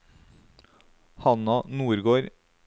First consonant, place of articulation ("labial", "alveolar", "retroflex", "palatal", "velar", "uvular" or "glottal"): glottal